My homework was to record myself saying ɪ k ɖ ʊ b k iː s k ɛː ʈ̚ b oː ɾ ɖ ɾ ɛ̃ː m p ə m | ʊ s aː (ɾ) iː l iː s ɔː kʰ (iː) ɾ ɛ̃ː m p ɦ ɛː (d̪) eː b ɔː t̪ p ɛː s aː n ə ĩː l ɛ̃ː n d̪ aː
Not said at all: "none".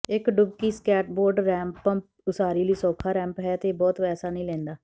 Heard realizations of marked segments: ɾ, aː, t̪

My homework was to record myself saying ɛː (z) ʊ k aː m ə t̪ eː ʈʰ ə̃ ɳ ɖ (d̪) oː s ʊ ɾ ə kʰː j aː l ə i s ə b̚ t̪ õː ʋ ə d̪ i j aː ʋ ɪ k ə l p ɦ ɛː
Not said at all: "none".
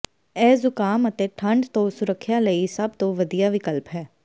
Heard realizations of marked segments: z, t̪

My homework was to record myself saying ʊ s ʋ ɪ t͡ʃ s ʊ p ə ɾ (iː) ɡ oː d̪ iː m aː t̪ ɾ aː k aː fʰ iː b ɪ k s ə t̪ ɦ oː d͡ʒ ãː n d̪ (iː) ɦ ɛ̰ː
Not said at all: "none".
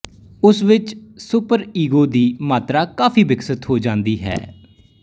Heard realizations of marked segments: iː, iː

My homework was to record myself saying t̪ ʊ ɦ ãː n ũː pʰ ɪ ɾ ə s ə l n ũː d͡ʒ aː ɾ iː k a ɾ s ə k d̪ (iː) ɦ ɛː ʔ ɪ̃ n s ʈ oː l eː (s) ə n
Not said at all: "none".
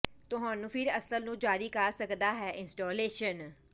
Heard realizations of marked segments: aː, ʃ

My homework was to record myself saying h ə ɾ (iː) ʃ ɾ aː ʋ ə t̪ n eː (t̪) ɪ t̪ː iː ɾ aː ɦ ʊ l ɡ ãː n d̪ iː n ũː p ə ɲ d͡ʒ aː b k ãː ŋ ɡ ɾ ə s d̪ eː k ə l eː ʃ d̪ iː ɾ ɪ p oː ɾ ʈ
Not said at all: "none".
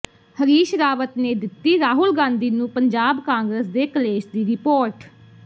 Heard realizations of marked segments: iː, d̪

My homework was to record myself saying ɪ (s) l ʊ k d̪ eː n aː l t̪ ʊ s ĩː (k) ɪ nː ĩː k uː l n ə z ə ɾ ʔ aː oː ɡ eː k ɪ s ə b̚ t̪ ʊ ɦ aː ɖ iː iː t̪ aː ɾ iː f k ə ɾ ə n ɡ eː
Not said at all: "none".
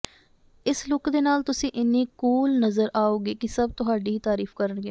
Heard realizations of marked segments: s, ʔ

